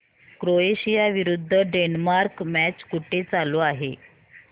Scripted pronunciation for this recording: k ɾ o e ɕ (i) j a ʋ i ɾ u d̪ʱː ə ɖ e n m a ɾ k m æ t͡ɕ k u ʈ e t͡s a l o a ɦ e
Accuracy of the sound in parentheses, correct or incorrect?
correct